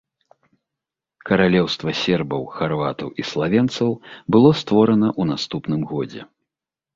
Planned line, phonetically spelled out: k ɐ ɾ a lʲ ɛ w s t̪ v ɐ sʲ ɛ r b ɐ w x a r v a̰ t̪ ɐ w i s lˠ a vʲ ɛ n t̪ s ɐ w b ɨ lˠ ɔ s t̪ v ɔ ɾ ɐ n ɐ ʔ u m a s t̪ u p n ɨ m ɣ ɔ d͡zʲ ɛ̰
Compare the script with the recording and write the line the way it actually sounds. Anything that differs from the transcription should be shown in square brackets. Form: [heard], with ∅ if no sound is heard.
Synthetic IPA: k ɐ ɾ a lʲ ɛ w s t̪ v ɐ sʲ ɛ r b ɐ w x a r v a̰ t̪ ɐ w i s lˠ a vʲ ɛ n t̪ s ɐ w b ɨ lˠ ɔ s t̪ v ɔ ɾ ɐ n ɐ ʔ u [n] a s t̪ u p n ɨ m ɣ ɔ d͡zʲ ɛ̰